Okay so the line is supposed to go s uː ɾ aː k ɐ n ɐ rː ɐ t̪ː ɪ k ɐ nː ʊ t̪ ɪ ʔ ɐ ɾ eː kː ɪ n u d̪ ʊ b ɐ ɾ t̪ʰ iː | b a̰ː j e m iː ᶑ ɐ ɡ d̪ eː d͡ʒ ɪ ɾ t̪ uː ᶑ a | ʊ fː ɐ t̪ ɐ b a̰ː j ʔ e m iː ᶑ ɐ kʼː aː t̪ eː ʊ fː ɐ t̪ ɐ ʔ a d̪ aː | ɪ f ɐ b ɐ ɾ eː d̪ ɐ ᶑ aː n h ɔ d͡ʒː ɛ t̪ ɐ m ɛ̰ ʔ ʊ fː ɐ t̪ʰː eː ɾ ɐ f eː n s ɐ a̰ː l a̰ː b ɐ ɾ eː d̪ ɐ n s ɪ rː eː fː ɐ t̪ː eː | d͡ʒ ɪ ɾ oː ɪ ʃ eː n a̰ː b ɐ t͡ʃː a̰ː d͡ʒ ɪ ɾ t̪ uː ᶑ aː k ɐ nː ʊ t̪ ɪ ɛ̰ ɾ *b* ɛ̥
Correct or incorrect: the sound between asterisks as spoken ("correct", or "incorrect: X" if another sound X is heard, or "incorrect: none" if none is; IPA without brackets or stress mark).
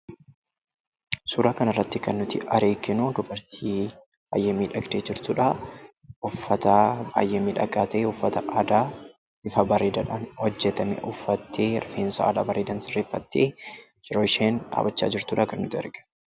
incorrect: ɡ